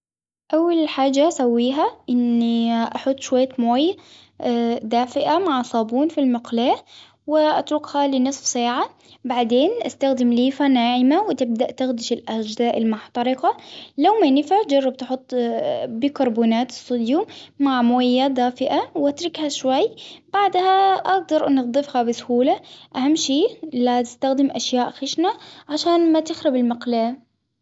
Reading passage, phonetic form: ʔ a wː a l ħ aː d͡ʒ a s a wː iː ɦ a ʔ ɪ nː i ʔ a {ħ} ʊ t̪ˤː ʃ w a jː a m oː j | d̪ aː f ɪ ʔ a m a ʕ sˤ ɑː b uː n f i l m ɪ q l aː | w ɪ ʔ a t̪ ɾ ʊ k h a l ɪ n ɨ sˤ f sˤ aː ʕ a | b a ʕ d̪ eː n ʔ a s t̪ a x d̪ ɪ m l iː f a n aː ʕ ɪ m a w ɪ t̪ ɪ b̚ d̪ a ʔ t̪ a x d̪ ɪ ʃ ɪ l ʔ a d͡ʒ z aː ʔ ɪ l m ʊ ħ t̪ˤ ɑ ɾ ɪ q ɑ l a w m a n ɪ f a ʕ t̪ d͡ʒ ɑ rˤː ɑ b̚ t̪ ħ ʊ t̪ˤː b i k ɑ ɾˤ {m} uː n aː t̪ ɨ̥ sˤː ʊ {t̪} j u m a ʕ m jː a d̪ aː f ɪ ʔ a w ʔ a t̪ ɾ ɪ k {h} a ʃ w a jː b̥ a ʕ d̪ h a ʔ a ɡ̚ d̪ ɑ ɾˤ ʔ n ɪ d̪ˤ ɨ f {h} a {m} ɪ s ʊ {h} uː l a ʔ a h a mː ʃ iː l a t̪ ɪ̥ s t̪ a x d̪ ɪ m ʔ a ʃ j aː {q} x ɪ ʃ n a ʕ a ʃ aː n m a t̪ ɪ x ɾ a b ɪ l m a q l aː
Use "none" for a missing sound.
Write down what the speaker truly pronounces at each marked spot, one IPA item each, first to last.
ħ, b, d̪, h, h, b, h, ʔ

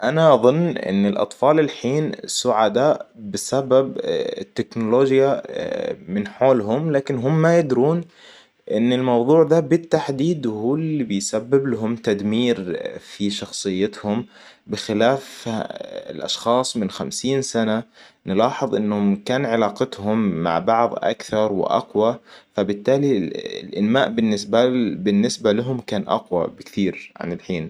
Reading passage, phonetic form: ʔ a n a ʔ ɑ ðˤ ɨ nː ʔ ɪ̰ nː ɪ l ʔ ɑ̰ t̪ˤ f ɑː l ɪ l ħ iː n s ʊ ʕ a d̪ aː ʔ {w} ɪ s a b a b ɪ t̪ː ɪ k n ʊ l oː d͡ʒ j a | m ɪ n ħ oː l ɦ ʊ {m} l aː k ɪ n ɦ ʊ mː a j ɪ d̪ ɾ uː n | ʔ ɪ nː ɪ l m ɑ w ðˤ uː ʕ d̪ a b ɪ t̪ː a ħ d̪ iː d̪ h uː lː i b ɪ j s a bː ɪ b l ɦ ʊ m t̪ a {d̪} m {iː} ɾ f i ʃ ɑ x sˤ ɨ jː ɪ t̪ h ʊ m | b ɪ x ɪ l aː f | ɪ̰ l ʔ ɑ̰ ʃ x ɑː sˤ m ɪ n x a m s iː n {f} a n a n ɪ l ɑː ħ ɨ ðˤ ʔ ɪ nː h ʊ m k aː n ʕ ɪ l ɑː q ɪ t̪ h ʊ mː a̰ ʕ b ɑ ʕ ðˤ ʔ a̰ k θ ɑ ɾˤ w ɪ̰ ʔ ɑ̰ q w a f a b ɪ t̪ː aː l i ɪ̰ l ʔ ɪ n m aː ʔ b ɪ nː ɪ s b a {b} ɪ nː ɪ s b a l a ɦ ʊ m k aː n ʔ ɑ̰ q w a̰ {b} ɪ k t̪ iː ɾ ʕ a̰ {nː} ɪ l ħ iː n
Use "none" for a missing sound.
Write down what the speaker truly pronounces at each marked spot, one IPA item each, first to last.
b, m, d̪, iː, s, b, b, n

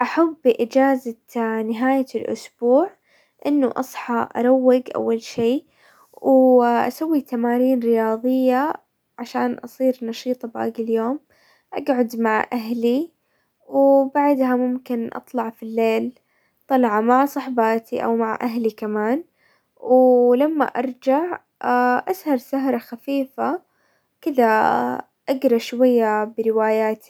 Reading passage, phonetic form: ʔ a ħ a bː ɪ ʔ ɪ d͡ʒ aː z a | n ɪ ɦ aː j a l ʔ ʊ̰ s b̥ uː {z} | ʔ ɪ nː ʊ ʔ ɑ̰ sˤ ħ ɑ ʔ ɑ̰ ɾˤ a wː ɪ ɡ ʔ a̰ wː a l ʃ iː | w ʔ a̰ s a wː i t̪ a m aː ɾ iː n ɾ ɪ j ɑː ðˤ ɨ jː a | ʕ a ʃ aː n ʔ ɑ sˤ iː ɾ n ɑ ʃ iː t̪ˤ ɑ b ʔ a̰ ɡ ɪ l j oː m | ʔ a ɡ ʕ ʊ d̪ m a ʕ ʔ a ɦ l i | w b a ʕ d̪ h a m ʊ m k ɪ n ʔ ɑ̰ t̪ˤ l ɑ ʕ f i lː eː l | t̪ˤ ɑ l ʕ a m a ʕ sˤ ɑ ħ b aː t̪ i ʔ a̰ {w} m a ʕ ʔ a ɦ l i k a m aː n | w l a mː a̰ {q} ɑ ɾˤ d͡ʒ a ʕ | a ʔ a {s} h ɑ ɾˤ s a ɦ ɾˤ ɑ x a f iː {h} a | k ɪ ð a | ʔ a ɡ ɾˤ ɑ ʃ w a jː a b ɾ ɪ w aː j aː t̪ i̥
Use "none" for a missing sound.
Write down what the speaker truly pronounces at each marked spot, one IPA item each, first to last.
ʕ, w, ʔ, s, f

